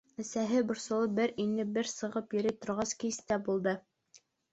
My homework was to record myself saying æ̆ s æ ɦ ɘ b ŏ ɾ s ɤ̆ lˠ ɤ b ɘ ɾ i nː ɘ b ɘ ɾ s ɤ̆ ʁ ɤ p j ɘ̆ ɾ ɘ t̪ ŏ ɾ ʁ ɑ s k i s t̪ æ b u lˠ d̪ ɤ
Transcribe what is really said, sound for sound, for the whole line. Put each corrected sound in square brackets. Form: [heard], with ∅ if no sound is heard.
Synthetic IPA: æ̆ s æ ɦ ɘ b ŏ ɾ s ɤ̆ lˠ ɤ b ɘ ɾ i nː ɘ b ɘ ɾ s ɤ̆ ʁ ɤ p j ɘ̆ ɾ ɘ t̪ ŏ ɾ ʁ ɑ s k i s t̪ æ b u lˠ d̪ ɤ